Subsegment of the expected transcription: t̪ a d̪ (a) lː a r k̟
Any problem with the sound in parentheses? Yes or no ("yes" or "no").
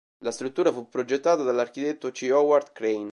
no